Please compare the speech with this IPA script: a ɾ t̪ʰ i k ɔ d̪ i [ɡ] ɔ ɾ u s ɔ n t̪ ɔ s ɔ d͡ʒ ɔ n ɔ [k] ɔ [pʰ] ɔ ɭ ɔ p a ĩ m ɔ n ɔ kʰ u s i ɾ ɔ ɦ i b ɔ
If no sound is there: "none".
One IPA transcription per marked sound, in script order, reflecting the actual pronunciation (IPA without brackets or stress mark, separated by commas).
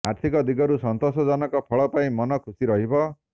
ɡ, k, pʰ